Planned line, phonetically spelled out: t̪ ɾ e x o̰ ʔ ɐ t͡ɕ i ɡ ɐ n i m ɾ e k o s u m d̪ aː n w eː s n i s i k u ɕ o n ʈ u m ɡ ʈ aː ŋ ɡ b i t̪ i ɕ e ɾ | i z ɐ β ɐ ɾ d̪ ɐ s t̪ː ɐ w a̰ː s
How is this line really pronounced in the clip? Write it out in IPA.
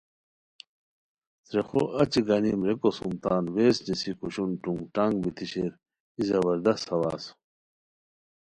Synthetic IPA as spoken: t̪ ɾ e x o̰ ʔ ɐ t͡ɕ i ɡ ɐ n i m ɾ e k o s u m t̪ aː n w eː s n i s i k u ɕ u n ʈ u ŋ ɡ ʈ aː ŋ ɡ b i t̪ i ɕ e ɾ | i z ɐ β ɐ ɾ d̪ ɐ s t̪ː ɐ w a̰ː s